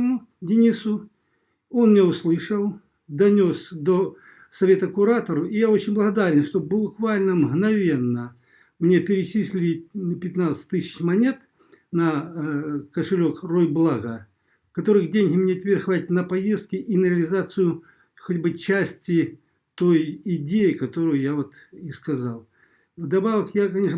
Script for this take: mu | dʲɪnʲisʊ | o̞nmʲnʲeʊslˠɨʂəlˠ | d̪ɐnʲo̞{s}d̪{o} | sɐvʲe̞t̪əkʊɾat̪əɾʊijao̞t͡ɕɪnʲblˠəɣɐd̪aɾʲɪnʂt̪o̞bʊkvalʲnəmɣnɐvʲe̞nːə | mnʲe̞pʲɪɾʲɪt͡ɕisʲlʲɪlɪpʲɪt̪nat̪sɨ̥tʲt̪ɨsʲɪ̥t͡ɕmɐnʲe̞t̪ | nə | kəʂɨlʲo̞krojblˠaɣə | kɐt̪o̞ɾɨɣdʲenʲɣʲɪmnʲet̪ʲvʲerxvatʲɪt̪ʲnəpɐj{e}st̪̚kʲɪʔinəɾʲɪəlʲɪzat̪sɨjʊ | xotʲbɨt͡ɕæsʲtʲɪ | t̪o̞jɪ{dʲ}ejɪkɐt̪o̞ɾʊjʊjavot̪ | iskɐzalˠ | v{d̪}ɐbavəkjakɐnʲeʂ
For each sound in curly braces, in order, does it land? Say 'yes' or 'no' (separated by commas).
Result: yes, yes, yes, yes, yes